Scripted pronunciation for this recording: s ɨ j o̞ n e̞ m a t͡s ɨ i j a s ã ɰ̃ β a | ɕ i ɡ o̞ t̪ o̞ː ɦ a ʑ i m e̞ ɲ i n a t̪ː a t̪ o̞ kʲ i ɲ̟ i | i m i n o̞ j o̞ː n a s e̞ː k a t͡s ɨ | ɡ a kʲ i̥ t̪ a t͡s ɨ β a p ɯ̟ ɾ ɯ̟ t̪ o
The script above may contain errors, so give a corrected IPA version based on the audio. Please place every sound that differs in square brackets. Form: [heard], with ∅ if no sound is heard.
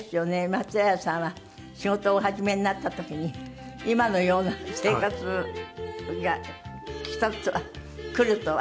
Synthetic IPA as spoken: s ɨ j o̞ n e̞ m a t͡s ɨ [a] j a s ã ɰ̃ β a | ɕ i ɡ o̞ t̪ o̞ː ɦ a ʑ i m e̞ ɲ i n a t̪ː a t̪ o̞ kʲ i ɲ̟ i | i m [a] n o̞ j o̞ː n a s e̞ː k a t͡s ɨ | ɡ a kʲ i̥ t̪ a t͡s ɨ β a [k] ɯ̟ ɾ ɯ̟ t̪ o